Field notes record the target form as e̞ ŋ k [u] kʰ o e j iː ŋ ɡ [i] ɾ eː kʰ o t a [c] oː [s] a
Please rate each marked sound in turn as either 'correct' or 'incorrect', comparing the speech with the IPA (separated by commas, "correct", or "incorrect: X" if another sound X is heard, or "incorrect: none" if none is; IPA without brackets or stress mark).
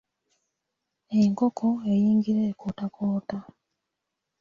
incorrect: o, correct, incorrect: k, incorrect: t